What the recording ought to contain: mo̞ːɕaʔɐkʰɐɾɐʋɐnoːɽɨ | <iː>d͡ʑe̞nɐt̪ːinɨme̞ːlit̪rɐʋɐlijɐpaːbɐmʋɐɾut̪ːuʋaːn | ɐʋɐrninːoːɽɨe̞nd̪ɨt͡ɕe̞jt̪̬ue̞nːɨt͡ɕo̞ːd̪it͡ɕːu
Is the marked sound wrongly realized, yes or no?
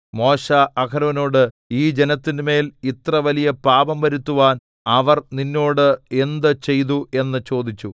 no